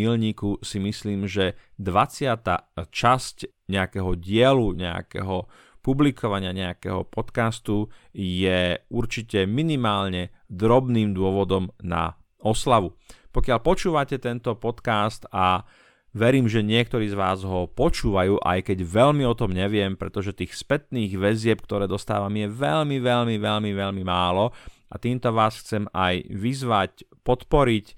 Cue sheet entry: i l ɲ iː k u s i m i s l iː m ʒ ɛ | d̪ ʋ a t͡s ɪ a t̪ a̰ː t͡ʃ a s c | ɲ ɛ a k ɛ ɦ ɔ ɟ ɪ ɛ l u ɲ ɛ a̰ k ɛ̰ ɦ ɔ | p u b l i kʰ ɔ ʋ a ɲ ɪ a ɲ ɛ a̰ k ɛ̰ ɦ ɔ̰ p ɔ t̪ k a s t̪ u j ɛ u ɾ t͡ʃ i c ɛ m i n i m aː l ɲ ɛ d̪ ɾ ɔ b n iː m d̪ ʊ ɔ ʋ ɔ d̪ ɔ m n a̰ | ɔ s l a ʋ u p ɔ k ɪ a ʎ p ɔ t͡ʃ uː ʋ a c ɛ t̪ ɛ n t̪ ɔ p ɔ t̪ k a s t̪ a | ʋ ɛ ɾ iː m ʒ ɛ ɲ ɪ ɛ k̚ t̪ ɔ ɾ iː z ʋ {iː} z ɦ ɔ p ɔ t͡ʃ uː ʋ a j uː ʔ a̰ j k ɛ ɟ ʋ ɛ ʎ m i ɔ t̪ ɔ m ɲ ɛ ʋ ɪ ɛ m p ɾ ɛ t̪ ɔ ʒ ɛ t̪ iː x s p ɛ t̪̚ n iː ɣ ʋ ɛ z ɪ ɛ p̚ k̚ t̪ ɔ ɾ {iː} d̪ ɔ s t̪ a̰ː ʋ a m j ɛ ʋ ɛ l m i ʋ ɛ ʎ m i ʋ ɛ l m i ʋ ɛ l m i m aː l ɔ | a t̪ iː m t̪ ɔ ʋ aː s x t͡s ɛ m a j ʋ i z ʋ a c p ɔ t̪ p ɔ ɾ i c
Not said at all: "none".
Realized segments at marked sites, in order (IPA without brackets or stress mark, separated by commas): aː, ɛː